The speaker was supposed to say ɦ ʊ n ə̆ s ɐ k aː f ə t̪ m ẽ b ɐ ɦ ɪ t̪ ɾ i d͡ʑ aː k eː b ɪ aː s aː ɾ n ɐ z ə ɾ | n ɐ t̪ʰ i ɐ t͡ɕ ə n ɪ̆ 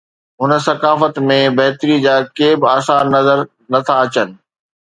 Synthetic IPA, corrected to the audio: ɦ ʊ n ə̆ s ɐ k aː f ə t̪ m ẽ b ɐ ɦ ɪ t̪ ɾ i d͡ʑ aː k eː b ɪ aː s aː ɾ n ɐ z ə ɾ | n ɐ t̪ʰ a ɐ t͡ɕ ə n ɪ̆